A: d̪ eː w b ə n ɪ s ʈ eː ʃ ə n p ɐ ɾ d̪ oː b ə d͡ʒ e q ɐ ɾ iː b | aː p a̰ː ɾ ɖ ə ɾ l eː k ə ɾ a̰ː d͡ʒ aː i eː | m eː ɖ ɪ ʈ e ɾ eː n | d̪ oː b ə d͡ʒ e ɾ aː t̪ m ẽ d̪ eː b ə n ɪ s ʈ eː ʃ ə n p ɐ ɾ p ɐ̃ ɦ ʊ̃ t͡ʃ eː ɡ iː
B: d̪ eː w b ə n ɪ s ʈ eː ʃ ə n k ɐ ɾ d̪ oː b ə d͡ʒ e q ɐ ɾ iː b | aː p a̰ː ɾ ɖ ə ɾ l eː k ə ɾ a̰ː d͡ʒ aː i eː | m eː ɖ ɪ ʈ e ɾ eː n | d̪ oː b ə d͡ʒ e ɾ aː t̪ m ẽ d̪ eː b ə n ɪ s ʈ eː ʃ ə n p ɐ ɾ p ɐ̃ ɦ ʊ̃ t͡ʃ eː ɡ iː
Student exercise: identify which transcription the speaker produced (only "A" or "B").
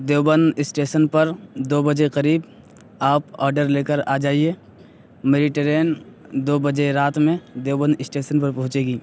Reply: A